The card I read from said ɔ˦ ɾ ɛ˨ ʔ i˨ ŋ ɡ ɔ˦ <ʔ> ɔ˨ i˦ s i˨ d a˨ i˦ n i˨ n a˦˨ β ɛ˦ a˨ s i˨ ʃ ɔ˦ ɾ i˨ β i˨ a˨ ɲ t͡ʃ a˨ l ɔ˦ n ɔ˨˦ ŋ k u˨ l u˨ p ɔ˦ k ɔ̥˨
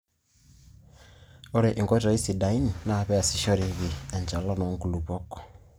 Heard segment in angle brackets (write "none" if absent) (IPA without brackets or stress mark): t